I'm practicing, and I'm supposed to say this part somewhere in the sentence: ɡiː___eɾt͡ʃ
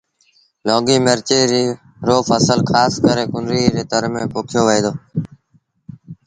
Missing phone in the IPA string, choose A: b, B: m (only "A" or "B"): B